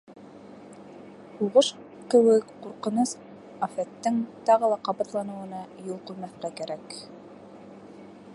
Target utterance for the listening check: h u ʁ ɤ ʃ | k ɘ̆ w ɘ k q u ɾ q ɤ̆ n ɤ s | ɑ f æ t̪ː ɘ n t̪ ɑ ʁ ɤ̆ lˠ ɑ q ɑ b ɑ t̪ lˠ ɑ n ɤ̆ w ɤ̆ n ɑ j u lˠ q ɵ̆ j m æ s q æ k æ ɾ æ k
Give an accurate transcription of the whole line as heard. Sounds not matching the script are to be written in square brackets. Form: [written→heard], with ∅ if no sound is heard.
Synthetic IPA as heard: h u ʁ ɤ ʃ | k ɘ̆ w ɘ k q u ɾ q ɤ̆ n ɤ s | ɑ f æ t̪ː ɘ [n→ŋ] t̪ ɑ ʁ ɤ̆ lˠ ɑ q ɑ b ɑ t̪ lˠ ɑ n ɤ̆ w ɤ̆ n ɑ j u lˠ q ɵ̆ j m æ [s→θ] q æ k æ ɾ æ k